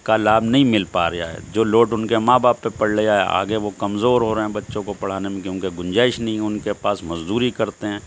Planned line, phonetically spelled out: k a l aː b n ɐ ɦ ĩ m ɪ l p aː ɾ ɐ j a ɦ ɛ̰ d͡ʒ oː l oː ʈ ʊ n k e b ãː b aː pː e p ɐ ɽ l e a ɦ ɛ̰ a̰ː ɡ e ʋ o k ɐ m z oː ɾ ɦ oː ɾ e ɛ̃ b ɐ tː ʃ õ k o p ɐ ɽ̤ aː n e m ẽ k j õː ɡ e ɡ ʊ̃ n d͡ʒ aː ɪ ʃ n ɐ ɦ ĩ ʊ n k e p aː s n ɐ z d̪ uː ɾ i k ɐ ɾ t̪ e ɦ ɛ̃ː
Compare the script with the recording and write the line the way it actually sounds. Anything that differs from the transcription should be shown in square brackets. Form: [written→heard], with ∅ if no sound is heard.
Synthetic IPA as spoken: k a l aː b n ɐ ɦ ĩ m ɪ l p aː ɾ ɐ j a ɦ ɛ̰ d͡ʒ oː l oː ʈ ʊ n k e [b→m] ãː b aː pː e p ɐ ɽ l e a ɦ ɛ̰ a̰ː ɡ e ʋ o k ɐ m z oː ɾ ɦ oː ɾ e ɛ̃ b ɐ tː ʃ õ k o p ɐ ɽ̤ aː n e m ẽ k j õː [ɡ→k] e ɡ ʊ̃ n d͡ʒ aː ɪ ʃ n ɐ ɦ ĩ ʊ n k e p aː s [n→m] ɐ z d̪ uː ɾ i k ɐ ɾ t̪ e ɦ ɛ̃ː

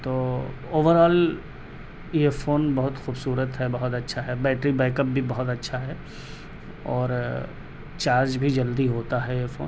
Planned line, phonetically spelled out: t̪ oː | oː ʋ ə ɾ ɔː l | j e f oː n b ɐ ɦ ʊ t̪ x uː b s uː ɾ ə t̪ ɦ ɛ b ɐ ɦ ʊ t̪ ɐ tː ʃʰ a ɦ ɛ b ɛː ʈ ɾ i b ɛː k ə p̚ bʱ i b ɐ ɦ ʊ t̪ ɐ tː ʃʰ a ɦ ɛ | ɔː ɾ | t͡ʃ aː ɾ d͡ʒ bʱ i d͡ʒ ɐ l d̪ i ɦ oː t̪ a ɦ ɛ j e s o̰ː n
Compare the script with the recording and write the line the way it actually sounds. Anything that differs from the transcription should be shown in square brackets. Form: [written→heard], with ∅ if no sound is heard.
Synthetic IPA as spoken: t̪ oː | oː ʋ ə ɾ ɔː l | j e f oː n b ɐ ɦ ʊ t̪ x uː b s uː ɾ ə t̪ ɦ ɛ b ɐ ɦ ʊ t̪ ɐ tː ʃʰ a ɦ ɛ b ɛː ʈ ɾ i b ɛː k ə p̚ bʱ i b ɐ ɦ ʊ t̪ ɐ tː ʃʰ a ɦ ɛ | ɔː ɾ | t͡ʃ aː ɾ d͡ʒ bʱ i d͡ʒ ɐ l d̪ i ɦ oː t̪ a ɦ ɛ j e [s→f] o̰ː n

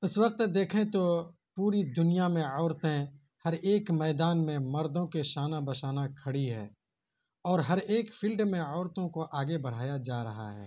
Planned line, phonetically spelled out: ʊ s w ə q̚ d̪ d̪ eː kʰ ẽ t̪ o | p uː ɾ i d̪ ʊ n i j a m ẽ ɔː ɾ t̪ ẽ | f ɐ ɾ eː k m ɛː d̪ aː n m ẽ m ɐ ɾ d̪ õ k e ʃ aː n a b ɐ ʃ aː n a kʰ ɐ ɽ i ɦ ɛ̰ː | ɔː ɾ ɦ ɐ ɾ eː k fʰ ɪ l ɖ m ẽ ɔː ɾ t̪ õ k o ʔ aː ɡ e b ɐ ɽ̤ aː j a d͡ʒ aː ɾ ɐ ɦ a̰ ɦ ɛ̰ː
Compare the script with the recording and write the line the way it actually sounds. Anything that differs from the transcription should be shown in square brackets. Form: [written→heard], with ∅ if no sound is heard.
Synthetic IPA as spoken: ʊ s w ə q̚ [d̪→t̪] d̪ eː kʰ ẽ t̪ o | p uː ɾ i d̪ ʊ n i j a m ẽ ɔː ɾ t̪ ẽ | [f→h] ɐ ɾ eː k m ɛː d̪ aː n m ẽ m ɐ ɾ d̪ õ k e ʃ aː n a b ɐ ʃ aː n a kʰ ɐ ɽ i ɦ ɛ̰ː | ɔː ɾ ɦ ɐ ɾ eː k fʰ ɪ l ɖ m ẽ ɔː ɾ t̪ õ k o ʔ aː ɡ e b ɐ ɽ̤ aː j a d͡ʒ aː ɾ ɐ ɦ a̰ ɦ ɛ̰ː

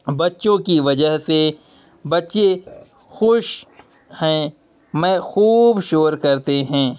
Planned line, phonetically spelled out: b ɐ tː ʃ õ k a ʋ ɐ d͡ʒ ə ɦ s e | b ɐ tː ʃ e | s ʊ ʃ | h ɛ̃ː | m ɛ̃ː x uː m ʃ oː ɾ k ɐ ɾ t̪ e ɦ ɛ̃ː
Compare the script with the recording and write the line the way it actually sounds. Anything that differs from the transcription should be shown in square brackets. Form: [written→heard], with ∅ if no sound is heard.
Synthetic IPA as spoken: b ɐ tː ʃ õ k [a→i] ʋ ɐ d͡ʒ ə ɦ s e | b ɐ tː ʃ e | [s→x] ʊ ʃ | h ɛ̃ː | m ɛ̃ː x uː [m→b] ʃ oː ɾ k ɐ ɾ t̪ e ɦ ɛ̃ː

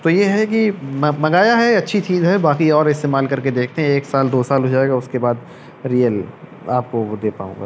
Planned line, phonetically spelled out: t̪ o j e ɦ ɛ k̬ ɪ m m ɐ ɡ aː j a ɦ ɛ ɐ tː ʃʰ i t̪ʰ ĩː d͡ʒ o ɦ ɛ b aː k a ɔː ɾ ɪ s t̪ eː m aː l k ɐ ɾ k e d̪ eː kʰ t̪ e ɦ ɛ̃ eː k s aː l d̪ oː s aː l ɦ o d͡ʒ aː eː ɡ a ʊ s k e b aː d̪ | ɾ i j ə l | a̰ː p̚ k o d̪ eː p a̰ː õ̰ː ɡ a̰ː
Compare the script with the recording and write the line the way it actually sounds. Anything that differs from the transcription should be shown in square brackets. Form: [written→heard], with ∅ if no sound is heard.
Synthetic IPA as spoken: t̪ o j e ɦ ɛ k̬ [ɪ→i] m m ɐ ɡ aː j a ɦ ɛ ɐ tː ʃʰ i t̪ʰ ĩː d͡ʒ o ɦ ɛ b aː k [a→i] ɔː ɾ ɪ s t̪ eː m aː l k ɐ ɾ k e d̪ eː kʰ t̪ e ɦ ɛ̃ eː k s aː l d̪ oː s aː l ɦ o d͡ʒ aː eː ɡ a ʊ s k e b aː d̪ | ɾ i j ə l | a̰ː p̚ k o d̪ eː p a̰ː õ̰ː ɡ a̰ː

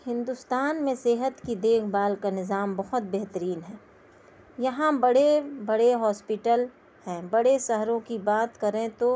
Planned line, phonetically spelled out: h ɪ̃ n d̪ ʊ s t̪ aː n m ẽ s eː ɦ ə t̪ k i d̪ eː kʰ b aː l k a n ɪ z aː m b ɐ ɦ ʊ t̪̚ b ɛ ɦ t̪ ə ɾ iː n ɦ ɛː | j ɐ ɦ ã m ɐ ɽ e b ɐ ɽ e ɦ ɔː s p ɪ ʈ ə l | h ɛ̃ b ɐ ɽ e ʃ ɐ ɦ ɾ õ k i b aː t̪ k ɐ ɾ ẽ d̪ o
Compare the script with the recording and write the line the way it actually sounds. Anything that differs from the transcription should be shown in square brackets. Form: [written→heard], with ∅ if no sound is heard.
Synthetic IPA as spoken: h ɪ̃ n d̪ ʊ s t̪ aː n m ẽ s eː ɦ ə t̪ k i d̪ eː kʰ b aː l k a n ɪ z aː m b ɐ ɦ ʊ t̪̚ b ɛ ɦ t̪ ə ɾ iː n ɦ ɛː | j ɐ ɦ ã [m→b] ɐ ɽ e b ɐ ɽ e ɦ ɔː s p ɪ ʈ ə l | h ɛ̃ b ɐ ɽ e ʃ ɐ ɦ ɾ õ k i b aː t̪ k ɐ ɾ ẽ [d̪→t̪] o

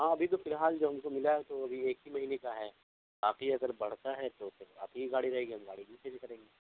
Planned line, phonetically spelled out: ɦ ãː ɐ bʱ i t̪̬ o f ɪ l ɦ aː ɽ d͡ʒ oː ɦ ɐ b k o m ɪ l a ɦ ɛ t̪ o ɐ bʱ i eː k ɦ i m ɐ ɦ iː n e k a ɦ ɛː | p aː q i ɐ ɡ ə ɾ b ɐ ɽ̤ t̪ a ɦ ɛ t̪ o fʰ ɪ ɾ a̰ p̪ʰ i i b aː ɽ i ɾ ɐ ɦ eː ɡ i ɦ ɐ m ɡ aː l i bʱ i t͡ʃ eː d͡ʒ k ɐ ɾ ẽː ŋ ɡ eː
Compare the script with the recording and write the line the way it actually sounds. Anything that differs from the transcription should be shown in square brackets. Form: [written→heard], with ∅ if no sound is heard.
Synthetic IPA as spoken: ɦ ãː ɐ bʱ i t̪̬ o f ɪ l ɦ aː [ɽ→l] d͡ʒ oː ɦ ɐ [b→m] k o m ɪ l a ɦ ɛ t̪ o ɐ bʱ i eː k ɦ i m ɐ ɦ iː n e k a ɦ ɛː | [p→b] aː q i ɐ ɡ ə ɾ b ɐ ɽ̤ t̪ a ɦ ɛ t̪ o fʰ ɪ ɾ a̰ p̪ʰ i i [b→ɡ] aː ɽ i ɾ ɐ ɦ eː ɡ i ɦ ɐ m ɡ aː [l→ɽ] i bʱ i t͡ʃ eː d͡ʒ k ɐ ɾ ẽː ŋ ɡ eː

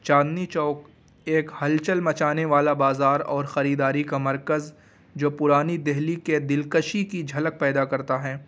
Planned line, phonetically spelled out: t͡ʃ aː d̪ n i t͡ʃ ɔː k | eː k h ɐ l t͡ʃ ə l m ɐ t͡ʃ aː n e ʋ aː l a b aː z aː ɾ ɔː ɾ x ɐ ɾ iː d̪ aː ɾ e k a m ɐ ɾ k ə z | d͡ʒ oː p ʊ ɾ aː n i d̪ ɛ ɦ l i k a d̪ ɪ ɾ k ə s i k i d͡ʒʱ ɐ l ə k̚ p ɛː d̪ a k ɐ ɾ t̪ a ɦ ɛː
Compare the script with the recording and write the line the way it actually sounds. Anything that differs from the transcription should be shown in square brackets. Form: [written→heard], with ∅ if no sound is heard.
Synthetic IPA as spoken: t͡ʃ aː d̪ n i t͡ʃ ɔː k | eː k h ɐ l t͡ʃ ə l m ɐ t͡ʃ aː n e ʋ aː l a b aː z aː ɾ ɔː ɾ x ɐ ɾ iː d̪ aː ɾ [e→i] k a m ɐ ɾ k ə z | d͡ʒ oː p ʊ ɾ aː n i d̪ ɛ ɦ l i k [a→e] d̪ ɪ [ɾ→l] k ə [s→ʃ] i k i d͡ʒʱ ɐ l ə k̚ p ɛː d̪ a k ɐ ɾ t̪ a ɦ ɛː

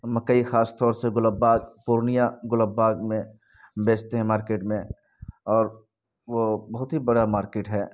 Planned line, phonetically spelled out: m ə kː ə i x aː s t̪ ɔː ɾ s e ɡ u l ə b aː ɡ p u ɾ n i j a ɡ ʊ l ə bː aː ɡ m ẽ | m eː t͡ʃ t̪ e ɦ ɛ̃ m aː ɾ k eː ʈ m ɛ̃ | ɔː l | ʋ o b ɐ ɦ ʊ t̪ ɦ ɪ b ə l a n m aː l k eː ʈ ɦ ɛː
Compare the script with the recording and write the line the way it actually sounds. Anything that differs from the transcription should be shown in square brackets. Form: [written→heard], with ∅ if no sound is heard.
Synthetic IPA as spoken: m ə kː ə i x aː s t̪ ɔː ɾ s e ɡ [u→ʊ] l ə b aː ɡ p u ɾ n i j a ɡ ʊ l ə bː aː ɡ m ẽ | [m→b] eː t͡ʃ t̪ e ɦ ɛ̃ m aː ɾ k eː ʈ m [ɛ̃→ẽ] | ɔː [l→ɾ] | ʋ o b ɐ ɦ ʊ t̪ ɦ [ɪ→i] b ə [l→ɽ] a [n→∅] m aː [l→ɾ] k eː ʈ ɦ ɛː

